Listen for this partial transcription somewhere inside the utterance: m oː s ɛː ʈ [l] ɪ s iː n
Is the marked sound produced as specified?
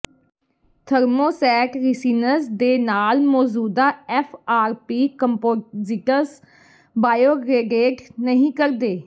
no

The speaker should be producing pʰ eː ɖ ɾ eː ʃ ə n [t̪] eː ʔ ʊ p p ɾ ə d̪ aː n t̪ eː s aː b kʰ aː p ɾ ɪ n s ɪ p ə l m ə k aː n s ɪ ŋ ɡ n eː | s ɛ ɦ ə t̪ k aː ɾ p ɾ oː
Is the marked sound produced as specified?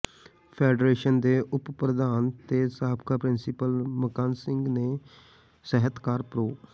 no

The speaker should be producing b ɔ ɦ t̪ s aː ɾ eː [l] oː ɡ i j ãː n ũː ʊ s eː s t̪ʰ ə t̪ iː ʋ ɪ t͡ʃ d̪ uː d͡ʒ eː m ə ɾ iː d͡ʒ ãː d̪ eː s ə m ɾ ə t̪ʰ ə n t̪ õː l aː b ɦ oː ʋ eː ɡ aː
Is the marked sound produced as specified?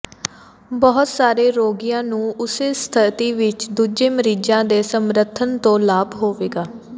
no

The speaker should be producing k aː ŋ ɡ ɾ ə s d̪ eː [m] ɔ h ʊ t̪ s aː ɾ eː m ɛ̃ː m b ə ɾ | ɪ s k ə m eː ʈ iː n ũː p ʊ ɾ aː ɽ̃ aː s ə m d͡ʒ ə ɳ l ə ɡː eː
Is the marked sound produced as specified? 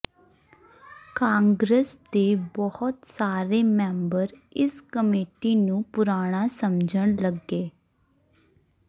no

